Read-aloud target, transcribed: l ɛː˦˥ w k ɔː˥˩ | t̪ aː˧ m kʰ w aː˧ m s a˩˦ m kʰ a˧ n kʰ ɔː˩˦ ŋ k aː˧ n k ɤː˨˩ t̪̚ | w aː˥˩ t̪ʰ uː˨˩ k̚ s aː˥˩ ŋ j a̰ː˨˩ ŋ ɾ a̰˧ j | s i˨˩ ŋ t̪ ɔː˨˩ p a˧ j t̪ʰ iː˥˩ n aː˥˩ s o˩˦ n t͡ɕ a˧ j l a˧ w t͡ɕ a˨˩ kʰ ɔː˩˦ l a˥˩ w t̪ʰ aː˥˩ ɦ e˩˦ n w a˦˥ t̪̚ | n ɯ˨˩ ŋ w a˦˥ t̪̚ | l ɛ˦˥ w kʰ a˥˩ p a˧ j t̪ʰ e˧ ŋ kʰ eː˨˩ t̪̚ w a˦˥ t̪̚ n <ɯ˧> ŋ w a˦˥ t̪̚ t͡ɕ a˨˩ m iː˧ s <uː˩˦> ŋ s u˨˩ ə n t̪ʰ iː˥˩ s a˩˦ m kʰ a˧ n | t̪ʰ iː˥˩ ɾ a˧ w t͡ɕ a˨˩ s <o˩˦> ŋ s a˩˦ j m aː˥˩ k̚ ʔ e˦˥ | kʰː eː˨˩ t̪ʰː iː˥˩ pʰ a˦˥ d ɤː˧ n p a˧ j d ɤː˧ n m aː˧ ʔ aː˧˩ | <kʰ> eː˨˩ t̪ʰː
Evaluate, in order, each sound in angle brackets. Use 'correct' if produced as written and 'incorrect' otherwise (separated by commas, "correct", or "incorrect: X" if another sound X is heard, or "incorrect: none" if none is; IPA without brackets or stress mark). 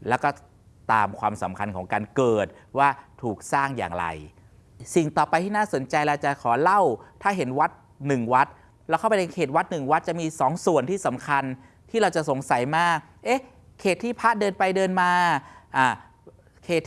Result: incorrect: ɯ˨˩, incorrect: ɔː˩˦, correct, correct